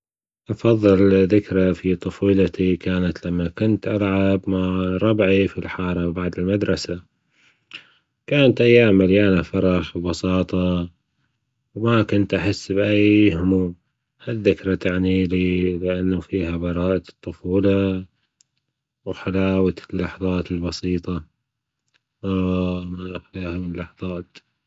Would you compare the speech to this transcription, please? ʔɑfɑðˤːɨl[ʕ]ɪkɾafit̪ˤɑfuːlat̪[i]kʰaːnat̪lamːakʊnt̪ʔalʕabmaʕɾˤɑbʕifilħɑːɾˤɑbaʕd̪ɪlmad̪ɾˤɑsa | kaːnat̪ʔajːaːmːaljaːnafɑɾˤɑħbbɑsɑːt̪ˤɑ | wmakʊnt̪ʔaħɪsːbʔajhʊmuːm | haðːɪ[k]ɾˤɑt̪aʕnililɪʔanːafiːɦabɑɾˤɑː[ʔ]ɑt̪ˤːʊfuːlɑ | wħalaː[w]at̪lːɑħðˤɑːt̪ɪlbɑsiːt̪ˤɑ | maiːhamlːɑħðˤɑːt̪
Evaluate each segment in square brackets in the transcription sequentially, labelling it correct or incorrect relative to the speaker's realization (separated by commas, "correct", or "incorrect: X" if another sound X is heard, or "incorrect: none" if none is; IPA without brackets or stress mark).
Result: incorrect: ð, correct, correct, correct, correct